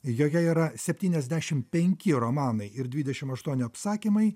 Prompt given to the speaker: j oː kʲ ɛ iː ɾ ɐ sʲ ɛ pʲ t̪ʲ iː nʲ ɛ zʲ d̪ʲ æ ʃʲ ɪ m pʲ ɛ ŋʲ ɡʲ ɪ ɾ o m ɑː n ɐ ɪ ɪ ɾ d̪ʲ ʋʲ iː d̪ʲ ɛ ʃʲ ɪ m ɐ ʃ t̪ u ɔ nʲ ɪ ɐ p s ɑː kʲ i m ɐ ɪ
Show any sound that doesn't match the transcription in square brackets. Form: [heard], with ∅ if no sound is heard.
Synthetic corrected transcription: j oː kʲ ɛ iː ɾ ɐ sʲ ɛ pʲ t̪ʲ iː nʲ ɛ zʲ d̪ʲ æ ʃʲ ɪ m pʲ ɛ ŋʲ [kʲ] ɪ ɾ o m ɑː n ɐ ɪ ɪ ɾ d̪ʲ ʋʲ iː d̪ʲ ɛ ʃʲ ɪ m ɐ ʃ t̪ u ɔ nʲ ɪ ɐ p s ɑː kʲ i m ɐ ɪ